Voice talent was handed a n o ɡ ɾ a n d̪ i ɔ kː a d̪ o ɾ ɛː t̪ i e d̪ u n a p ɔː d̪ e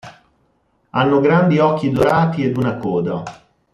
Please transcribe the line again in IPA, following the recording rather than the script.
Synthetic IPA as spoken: a nː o ɡ ɾ a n d̪ i ɔ kː i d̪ o ɾ aː t̪ i e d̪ u n a k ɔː d̪ a